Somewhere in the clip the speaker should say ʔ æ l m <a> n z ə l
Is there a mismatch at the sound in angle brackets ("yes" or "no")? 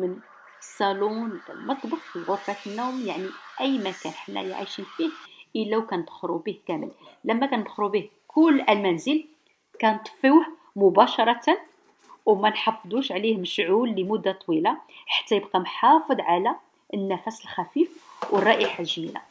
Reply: yes